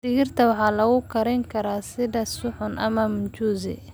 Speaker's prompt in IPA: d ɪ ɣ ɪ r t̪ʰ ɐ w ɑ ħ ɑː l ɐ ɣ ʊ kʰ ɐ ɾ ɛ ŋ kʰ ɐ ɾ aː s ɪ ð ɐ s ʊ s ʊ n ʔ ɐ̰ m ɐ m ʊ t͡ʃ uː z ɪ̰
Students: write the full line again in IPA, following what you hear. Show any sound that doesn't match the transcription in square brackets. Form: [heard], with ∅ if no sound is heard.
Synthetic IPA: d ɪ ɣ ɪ r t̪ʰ ɐ w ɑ ħ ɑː l ɐ ɣ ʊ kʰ ɐ ɾ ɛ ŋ kʰ ɐ ɾ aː s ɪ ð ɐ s ʊ [ħ] ʊ n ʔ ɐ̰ m ɐ m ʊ t͡ʃ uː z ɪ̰